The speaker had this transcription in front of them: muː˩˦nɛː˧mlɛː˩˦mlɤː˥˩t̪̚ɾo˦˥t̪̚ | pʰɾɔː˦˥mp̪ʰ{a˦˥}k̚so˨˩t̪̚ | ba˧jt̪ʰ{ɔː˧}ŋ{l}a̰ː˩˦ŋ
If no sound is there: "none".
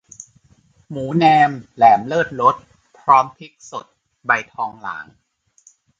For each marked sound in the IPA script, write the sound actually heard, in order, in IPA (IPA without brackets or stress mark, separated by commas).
i˦˥, ɔː˧, l